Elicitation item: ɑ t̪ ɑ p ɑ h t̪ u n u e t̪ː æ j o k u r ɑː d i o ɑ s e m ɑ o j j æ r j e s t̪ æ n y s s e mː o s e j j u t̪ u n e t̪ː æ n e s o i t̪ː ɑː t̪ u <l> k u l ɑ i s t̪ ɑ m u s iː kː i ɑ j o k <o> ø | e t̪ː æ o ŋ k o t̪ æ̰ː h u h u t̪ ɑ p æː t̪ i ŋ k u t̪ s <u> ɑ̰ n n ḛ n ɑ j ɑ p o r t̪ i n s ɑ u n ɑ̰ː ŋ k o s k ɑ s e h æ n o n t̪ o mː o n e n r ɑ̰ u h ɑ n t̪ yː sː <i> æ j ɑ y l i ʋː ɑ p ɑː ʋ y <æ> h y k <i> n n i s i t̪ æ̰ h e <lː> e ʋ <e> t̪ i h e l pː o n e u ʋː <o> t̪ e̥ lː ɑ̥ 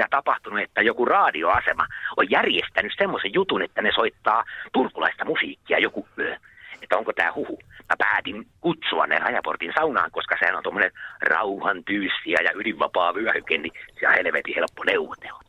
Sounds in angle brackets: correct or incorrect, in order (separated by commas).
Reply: incorrect, incorrect, correct, correct, correct, incorrect, incorrect, correct, correct